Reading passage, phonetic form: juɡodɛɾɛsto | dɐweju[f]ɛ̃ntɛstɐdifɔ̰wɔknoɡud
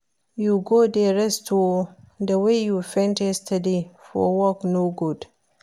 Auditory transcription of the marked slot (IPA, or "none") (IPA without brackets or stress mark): f